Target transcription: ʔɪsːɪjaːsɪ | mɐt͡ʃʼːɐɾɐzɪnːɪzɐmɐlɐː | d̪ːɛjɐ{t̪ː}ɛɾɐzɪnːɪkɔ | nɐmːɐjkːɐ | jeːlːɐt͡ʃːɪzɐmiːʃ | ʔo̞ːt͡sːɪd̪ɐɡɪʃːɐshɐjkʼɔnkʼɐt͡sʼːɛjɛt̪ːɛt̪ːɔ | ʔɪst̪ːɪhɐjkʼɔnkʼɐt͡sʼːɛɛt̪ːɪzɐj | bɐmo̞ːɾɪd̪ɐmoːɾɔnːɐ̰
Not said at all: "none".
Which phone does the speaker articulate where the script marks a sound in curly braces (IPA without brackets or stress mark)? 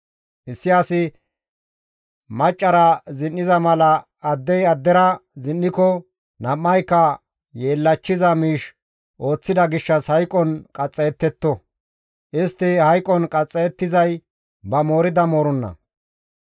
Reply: d̪ː